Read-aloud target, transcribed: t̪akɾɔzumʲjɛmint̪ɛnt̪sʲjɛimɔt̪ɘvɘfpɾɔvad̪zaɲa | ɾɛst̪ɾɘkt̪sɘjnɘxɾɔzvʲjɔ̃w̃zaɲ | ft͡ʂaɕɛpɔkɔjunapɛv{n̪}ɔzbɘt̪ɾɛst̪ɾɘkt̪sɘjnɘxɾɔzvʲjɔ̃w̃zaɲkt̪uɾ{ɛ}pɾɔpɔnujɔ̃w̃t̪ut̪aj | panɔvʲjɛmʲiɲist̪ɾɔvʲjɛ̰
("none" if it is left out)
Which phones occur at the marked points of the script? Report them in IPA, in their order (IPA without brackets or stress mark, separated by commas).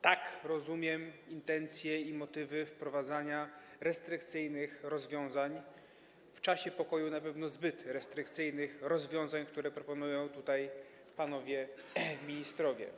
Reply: n̪, ɛ